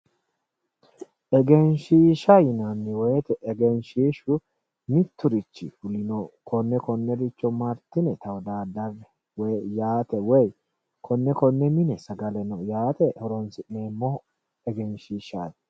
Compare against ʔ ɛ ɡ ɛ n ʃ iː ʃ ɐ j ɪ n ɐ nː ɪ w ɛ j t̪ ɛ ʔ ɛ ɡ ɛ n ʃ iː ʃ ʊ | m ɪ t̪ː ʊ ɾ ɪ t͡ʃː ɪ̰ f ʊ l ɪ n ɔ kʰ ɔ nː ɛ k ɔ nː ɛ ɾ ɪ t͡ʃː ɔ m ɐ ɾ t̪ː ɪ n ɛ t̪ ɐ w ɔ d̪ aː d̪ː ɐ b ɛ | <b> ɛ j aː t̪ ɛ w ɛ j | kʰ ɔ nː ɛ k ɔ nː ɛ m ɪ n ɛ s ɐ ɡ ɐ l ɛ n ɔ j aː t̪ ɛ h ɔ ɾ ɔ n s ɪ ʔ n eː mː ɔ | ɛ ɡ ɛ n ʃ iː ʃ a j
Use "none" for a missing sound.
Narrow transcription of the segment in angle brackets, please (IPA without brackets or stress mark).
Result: w